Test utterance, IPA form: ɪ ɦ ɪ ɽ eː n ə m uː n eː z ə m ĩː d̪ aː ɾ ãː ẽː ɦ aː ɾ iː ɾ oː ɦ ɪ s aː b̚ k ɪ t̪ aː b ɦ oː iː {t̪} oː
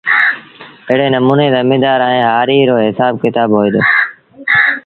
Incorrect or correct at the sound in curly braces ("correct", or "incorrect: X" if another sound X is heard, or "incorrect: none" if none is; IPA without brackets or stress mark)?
incorrect: d̪